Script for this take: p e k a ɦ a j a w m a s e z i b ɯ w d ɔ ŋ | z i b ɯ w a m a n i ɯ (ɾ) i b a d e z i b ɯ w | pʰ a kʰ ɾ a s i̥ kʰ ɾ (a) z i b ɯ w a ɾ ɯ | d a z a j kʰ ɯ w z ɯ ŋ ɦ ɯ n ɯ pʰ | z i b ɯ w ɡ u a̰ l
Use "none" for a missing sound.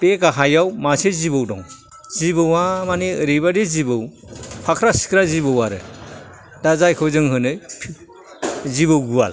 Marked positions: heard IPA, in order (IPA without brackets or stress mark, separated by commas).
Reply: ɾ, a